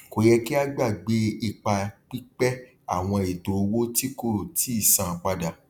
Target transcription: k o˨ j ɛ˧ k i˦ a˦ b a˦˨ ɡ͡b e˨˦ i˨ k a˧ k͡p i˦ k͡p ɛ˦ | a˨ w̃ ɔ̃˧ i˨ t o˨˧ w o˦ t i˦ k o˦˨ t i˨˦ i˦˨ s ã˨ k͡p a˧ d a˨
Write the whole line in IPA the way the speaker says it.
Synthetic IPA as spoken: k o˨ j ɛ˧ k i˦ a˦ ɡ͡b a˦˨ ɡ͡b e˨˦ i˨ k͡p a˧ k͡p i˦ k͡p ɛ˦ | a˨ w̃ ɔ̃˧ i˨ t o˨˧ w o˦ t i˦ k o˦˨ t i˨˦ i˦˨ s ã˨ k͡p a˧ d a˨